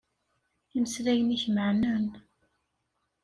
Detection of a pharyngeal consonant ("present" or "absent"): present